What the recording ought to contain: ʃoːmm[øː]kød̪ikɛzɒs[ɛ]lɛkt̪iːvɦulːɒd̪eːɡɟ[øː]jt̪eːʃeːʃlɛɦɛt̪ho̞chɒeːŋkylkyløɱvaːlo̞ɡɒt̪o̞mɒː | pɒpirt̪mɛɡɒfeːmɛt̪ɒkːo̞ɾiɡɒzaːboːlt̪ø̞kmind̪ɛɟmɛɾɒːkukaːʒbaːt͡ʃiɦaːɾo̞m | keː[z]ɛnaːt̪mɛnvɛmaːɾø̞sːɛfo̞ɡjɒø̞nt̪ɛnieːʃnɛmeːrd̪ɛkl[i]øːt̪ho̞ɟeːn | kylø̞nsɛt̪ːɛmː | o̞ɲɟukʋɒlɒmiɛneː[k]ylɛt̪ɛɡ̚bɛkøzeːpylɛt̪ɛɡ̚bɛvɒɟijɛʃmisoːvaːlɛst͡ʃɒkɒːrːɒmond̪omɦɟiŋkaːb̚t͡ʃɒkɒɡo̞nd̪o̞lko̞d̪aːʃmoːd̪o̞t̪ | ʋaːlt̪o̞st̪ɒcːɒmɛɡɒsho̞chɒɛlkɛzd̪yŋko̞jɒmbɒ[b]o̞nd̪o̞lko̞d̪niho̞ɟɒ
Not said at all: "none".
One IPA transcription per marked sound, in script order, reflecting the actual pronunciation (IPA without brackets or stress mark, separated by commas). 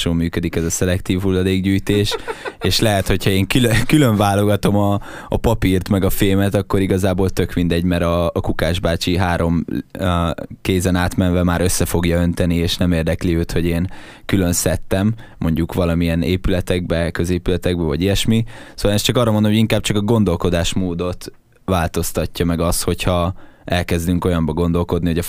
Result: yː, ɛ, yː, z, i, p, ɡ